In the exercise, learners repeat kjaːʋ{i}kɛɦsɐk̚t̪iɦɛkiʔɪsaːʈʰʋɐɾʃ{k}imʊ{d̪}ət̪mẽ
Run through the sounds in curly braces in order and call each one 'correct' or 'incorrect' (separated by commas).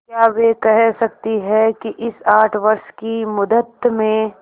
incorrect, correct, correct